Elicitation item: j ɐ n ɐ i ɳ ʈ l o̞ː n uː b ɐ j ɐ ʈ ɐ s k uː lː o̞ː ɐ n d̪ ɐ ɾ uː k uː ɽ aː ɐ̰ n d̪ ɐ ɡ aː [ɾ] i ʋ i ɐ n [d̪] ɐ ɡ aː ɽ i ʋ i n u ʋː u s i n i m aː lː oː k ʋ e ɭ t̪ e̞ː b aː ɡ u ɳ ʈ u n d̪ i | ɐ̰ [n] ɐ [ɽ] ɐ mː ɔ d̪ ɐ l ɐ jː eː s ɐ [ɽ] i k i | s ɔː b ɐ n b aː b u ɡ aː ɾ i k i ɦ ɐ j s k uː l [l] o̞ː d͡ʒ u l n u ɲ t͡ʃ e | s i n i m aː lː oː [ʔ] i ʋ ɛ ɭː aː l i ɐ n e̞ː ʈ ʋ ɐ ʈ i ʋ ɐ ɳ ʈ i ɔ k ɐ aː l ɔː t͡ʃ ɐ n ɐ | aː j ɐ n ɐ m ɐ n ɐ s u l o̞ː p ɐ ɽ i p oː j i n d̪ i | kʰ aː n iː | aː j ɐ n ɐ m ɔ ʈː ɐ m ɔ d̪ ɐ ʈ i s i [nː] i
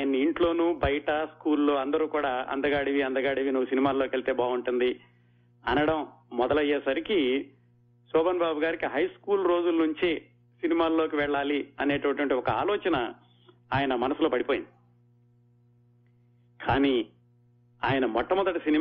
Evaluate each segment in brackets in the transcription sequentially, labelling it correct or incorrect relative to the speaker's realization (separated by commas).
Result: incorrect, correct, correct, correct, incorrect, incorrect, incorrect, incorrect